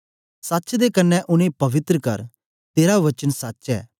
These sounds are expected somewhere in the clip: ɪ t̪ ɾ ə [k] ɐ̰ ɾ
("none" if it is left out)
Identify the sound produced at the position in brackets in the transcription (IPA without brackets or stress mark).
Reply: k